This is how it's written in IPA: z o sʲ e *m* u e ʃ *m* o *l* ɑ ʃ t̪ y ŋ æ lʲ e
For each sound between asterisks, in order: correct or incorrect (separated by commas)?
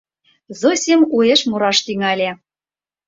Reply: correct, correct, incorrect